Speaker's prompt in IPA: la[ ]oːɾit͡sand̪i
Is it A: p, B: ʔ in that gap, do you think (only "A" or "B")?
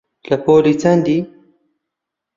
A